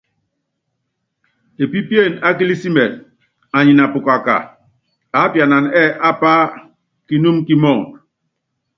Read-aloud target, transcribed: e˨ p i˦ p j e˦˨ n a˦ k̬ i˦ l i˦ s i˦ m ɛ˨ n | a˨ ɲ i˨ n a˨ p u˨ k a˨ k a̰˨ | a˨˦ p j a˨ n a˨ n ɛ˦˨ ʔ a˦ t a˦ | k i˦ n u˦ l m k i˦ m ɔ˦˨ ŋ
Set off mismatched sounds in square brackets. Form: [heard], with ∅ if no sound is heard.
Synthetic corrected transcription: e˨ p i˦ p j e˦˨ n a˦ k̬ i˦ l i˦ s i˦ m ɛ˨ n | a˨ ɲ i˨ n a˨ p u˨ k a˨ k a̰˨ | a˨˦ p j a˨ n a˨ n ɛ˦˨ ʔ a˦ [p] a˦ | k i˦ n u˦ [∅] m k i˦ m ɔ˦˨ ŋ

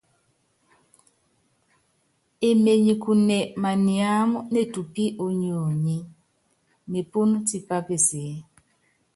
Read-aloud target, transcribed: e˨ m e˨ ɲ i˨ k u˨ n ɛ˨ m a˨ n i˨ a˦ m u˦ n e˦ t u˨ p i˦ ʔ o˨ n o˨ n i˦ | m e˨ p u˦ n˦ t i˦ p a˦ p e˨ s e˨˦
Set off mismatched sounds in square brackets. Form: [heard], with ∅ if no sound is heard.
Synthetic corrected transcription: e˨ m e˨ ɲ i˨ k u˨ n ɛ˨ m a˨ n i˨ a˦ m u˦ n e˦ t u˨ p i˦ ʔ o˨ [ɲ] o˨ [ɲ] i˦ | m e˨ p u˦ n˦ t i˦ p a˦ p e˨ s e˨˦

